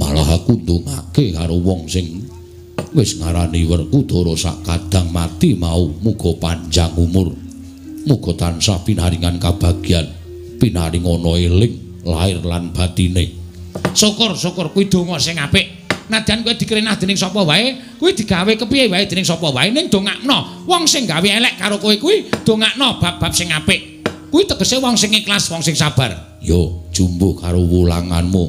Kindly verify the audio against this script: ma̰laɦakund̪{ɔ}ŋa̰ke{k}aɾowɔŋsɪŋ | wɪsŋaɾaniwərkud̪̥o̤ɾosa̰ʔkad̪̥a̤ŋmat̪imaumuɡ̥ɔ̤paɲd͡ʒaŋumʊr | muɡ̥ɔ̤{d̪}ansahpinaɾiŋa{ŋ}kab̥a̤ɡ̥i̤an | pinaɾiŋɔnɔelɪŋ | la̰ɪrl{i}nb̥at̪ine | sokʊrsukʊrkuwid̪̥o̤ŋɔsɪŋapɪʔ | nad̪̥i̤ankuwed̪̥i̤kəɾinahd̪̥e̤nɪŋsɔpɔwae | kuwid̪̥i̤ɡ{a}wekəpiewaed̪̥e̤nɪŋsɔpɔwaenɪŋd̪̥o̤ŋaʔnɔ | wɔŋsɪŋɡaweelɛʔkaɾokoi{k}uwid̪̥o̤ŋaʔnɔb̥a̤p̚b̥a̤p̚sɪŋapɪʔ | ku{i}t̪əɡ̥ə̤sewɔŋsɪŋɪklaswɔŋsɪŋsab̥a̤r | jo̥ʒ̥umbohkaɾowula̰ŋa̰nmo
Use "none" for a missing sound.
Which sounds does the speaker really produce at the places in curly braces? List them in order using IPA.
u, k, t̪, n, a, a, k, i

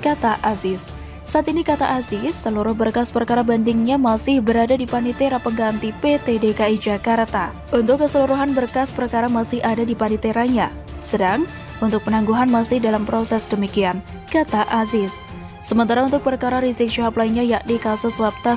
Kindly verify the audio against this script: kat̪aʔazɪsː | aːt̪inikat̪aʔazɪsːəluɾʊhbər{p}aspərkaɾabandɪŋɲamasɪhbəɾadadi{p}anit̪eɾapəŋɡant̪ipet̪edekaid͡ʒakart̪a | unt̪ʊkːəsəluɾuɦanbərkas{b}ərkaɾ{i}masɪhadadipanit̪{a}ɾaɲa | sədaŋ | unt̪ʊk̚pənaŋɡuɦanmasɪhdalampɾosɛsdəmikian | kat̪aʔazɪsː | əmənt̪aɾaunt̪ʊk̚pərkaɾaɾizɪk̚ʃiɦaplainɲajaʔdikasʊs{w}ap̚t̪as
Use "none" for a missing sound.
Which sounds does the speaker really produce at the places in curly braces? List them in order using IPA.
k, p, p, a, e, w

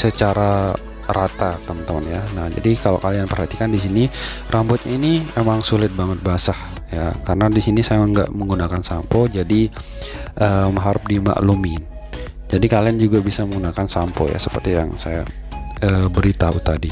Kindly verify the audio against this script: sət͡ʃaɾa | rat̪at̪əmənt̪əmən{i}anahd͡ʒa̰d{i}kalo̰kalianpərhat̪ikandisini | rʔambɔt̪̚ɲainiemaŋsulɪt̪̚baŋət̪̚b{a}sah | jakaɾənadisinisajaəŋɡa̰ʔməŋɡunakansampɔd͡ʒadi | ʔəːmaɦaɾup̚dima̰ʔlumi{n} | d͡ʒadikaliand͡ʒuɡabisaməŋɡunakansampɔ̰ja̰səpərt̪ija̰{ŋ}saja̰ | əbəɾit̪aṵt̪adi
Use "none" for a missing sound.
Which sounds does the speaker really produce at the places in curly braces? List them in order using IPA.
j, i, a, n, ŋ

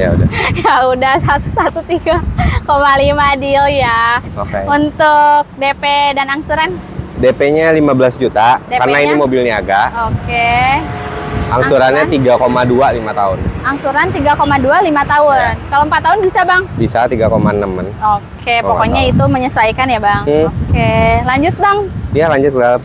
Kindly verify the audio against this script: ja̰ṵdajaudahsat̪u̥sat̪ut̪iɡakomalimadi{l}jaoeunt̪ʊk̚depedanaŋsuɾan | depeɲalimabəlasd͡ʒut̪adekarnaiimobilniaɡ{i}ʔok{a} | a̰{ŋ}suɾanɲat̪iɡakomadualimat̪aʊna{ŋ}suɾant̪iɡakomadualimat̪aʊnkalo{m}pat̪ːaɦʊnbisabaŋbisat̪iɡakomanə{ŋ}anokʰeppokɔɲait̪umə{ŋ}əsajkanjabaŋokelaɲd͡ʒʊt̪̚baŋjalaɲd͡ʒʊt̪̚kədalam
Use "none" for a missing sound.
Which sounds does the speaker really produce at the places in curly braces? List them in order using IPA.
l, a, e, ŋ, ŋ, m, m, ɲ

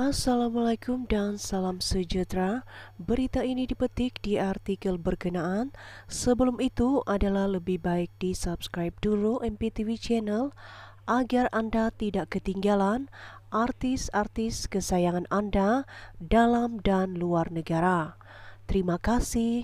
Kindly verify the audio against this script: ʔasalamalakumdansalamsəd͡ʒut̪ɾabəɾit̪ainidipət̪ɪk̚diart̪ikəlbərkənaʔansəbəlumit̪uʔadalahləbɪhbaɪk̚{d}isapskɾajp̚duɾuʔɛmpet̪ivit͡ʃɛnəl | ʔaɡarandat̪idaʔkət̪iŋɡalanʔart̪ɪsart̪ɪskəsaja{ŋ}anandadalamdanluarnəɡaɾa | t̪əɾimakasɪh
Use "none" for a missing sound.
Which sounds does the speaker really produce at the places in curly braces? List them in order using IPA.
d, ŋ

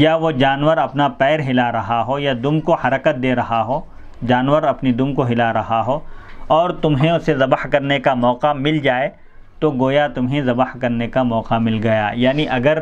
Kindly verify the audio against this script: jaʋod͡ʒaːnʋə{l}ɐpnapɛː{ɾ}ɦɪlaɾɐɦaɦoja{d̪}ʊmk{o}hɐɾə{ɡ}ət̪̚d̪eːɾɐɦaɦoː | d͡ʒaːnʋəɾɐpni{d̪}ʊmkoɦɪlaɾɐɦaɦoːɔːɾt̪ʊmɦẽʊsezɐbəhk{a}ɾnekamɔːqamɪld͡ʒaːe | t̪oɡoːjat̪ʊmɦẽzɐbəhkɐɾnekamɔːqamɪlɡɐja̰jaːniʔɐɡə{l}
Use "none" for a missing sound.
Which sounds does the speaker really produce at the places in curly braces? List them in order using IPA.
ɾ, ɾ, d̪, o, k, d̪, ɐ, ɾ

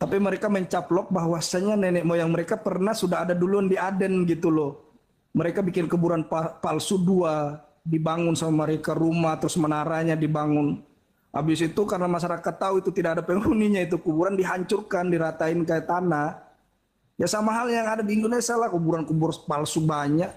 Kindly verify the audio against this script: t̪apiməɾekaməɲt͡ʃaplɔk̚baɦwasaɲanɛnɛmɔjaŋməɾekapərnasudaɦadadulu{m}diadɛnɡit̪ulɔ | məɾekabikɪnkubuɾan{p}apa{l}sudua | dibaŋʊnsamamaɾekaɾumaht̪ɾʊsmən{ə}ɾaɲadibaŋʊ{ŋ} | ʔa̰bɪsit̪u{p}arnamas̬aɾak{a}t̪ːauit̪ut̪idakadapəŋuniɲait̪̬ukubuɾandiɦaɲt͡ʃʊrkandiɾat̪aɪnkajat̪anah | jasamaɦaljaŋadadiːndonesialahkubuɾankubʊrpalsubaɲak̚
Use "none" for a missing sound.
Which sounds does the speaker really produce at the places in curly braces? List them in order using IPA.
n, p, l, a, n, k, a

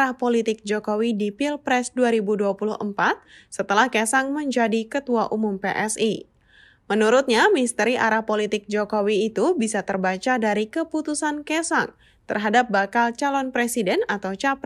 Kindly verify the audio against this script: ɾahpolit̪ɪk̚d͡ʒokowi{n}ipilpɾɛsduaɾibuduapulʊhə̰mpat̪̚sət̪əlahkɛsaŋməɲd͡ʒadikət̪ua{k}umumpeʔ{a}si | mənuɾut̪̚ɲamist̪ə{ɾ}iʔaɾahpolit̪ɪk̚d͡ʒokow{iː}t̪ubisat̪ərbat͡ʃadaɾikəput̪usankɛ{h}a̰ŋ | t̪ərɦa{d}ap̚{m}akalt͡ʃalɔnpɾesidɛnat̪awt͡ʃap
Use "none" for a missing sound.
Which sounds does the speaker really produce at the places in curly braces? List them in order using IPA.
d, ʔ, ɛ, ɾ, iː, s, d, b

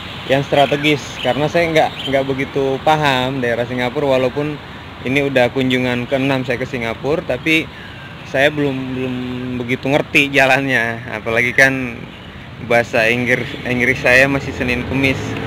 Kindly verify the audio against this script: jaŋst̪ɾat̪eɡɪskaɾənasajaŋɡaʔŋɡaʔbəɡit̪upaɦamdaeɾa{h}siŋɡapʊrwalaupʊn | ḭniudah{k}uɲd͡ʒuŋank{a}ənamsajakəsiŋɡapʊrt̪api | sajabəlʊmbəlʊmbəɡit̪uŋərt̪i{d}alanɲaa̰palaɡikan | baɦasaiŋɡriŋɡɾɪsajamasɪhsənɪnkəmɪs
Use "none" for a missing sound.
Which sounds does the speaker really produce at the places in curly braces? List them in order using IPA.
h, k, ə, d͡ʒ

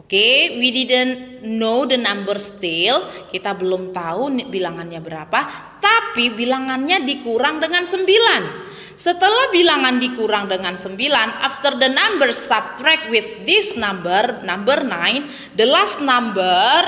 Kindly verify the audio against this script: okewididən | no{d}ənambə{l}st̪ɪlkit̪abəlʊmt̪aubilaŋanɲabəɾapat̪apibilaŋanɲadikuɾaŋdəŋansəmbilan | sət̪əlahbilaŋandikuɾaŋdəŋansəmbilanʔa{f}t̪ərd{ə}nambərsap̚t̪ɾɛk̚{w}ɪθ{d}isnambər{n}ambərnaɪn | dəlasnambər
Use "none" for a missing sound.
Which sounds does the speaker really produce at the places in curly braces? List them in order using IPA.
d, r, f, ə, w, d, n

